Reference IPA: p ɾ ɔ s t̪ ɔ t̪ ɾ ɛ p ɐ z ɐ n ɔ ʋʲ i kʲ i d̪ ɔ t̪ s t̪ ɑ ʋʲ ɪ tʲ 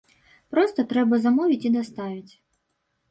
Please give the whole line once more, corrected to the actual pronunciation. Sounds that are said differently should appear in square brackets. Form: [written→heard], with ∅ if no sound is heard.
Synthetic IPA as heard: p ɾ ɔ s t̪ ɔ t̪ ɾ ɛ [p→b] ɐ z ɐ [n→m] ɔ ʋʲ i [kʲ→tʲ] i d̪ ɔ [t̪→∅] s t̪ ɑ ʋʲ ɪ tʲ